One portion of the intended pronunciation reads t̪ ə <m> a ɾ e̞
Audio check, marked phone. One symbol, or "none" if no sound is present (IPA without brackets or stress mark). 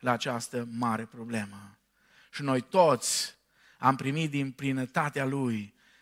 m